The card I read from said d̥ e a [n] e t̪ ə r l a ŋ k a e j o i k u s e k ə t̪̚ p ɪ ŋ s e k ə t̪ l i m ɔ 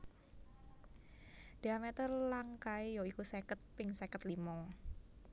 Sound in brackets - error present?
yes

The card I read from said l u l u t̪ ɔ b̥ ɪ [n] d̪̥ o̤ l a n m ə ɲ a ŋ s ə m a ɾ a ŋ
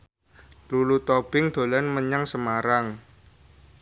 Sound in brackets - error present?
yes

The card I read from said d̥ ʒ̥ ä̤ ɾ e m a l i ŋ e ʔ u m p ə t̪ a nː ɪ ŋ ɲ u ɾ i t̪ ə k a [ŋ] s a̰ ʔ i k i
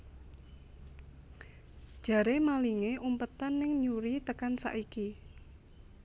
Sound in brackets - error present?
yes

